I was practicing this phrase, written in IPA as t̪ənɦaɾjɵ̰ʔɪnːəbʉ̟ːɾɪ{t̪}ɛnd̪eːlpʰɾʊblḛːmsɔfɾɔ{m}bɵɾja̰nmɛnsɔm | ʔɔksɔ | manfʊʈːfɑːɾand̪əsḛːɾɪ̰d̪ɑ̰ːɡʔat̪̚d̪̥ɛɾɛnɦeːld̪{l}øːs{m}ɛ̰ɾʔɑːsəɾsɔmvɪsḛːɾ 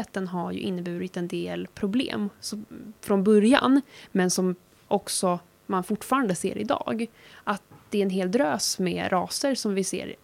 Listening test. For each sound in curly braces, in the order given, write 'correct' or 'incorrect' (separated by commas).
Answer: correct, incorrect, incorrect, correct